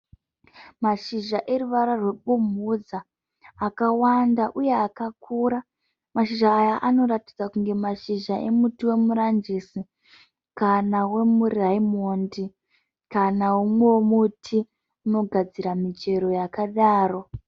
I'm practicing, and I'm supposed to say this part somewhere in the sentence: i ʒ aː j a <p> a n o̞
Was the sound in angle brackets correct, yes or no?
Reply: no